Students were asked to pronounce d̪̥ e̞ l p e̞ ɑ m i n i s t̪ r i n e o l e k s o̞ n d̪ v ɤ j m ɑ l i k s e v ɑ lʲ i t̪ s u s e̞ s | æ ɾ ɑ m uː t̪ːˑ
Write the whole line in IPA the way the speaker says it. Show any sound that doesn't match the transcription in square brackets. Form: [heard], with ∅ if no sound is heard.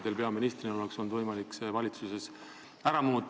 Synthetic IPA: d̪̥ e̞ l p e̞ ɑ m i n i s t̪ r i n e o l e k s o̞ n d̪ v ɤ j m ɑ l i k s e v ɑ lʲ i t̪ s u s e̞ s | æ ɾ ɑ m uː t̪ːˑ